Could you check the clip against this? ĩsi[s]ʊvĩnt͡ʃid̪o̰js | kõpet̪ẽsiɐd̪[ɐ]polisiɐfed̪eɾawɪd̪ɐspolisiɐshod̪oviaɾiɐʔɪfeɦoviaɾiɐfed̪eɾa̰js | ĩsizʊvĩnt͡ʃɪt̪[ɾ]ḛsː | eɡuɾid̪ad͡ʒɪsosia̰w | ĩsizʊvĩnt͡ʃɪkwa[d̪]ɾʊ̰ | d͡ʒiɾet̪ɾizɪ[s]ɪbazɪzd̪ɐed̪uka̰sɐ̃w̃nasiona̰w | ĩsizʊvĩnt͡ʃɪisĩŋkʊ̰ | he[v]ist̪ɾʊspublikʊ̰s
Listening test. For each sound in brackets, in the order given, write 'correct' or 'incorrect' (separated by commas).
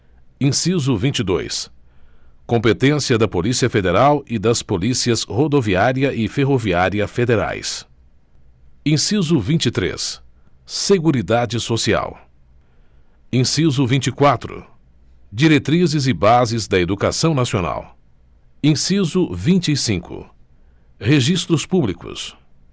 incorrect, correct, correct, incorrect, incorrect, incorrect